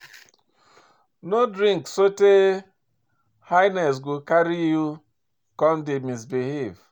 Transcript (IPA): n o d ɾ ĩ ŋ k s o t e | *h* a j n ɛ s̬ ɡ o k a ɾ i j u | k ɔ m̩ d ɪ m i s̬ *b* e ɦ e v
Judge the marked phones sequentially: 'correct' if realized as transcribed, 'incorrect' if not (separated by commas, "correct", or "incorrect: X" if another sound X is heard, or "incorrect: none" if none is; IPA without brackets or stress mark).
correct, correct